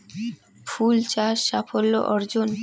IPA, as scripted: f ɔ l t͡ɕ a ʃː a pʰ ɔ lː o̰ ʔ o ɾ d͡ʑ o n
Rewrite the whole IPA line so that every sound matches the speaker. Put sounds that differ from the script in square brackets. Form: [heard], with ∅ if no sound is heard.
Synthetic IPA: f [u] l t͡ɕ a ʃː a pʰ [o] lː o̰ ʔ [ɔ] ɾ d͡ʑ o n